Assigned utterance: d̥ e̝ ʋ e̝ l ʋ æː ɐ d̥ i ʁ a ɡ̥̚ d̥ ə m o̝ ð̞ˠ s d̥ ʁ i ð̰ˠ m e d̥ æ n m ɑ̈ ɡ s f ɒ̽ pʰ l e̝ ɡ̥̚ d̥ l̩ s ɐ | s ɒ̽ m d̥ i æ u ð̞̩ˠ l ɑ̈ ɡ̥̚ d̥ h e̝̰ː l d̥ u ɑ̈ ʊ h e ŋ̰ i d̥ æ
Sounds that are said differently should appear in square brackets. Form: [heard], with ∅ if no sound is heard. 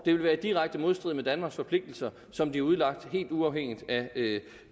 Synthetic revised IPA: d̥ e̝ ʋ e̝ l ʋ æː ɐ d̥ i ʁ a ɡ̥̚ d̥ ə m o̝ ð̞ˠ s d̥ ʁ i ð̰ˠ m e d̥ æ n m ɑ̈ ɡ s f ɒ̽ pʰ l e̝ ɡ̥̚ d̥ l̩ s ɐ | s ɒ̽ m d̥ i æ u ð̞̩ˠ l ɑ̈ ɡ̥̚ d̥ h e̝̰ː l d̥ u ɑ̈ ʊ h e ŋ̰ i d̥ æ